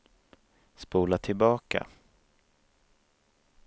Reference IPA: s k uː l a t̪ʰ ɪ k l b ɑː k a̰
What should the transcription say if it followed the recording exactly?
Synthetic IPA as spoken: s p uː l a t̪ʰ ɪ l b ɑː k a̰